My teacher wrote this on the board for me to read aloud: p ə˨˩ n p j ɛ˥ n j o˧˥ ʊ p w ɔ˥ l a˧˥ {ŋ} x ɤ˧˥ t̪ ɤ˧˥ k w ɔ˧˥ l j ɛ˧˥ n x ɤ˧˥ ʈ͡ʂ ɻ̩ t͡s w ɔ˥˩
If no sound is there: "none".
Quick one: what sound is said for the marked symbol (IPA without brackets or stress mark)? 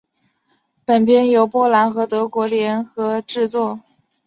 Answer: n